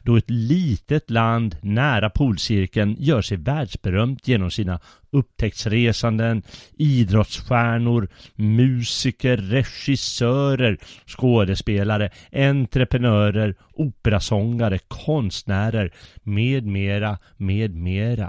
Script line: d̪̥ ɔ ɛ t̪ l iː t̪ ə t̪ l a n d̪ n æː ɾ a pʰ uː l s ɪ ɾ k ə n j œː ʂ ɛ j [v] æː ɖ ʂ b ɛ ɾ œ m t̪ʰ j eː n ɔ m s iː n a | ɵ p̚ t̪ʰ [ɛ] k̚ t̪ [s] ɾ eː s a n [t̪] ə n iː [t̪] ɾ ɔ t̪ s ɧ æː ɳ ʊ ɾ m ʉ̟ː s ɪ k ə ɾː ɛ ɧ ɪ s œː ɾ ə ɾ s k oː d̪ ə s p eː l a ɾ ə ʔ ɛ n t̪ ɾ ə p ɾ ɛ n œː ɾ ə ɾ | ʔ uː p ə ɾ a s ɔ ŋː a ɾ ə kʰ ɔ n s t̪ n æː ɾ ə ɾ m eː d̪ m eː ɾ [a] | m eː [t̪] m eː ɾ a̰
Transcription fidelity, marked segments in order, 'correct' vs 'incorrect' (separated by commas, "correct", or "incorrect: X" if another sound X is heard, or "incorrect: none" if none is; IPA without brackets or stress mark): correct, correct, correct, incorrect: d̪, incorrect: d̪, correct, incorrect: d̪